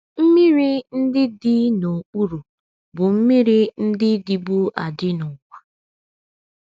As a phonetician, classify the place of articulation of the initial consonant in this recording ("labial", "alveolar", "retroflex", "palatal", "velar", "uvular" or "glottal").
labial